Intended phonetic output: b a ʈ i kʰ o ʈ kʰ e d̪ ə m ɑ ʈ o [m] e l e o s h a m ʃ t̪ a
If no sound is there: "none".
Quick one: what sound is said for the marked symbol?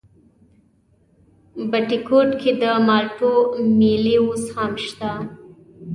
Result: m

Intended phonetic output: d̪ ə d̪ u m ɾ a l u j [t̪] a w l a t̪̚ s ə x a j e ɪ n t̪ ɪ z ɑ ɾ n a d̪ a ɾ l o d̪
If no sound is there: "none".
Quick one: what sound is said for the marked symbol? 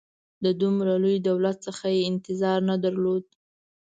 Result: d̪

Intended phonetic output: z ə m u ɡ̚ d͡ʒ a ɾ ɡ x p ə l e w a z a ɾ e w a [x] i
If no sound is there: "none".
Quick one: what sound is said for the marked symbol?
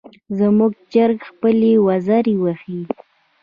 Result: x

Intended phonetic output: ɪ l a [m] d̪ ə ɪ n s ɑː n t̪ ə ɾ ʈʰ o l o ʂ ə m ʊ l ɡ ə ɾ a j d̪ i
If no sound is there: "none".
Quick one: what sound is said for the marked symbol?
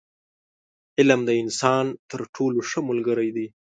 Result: m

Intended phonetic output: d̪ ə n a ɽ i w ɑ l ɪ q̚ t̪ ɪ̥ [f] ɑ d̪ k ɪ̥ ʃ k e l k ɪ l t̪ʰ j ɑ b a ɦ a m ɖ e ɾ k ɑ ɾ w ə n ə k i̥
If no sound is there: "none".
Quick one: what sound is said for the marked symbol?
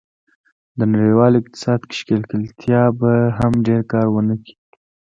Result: s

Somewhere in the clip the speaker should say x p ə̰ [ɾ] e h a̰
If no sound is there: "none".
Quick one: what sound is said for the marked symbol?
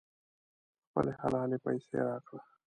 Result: l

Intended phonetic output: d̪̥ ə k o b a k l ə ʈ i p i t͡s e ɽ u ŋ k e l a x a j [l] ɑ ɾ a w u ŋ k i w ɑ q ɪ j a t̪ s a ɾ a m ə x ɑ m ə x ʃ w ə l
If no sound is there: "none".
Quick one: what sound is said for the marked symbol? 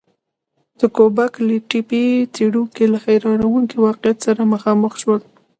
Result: ɾ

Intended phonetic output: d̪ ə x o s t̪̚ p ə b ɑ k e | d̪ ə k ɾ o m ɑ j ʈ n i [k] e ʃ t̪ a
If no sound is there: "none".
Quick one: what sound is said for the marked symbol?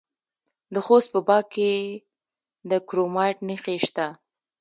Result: x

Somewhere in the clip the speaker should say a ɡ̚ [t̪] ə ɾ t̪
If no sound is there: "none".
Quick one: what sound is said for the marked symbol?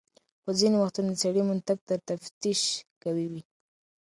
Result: t̪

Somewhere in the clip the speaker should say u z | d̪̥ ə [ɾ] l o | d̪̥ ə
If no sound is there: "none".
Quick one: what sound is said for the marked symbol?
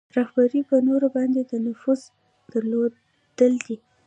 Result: ɾ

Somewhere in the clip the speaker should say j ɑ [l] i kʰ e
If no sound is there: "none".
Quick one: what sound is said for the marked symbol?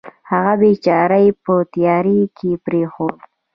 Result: ɾ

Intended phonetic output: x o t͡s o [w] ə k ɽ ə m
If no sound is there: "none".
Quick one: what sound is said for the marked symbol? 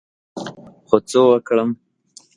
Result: w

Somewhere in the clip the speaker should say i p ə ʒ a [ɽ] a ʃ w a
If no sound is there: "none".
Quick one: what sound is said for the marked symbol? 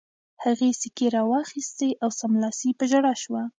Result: ɽ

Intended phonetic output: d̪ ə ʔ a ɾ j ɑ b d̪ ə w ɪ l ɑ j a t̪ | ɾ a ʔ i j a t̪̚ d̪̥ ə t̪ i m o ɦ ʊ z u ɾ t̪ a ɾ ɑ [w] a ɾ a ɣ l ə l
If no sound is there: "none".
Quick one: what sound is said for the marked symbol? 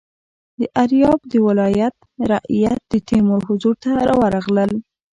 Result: w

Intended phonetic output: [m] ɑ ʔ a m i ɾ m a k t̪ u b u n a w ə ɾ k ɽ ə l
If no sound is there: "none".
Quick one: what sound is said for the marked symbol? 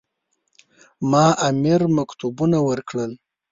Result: m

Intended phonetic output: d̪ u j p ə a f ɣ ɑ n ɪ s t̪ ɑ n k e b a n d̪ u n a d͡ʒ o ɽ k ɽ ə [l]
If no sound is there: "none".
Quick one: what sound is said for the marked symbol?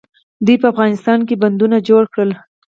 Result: l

